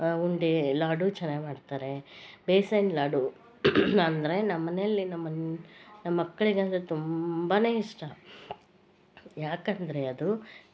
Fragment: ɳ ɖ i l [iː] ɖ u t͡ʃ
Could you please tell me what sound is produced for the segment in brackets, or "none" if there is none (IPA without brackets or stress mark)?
aː